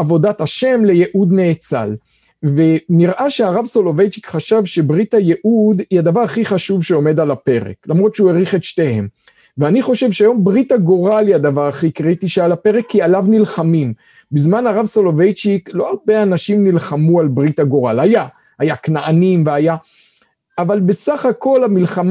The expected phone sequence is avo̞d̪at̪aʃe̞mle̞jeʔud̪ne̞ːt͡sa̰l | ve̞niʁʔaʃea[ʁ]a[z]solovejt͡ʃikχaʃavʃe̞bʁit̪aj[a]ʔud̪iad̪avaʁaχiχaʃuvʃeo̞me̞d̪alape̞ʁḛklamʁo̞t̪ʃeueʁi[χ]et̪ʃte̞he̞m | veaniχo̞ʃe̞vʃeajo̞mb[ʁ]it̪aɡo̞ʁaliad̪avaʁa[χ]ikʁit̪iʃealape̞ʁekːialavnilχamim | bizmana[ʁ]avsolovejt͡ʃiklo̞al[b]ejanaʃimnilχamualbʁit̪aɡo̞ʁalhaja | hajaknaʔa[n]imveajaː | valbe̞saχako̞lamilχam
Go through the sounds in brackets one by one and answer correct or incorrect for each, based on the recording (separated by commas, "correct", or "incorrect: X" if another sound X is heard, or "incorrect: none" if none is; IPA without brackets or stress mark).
correct, incorrect: v, incorrect: e, correct, correct, correct, correct, correct, correct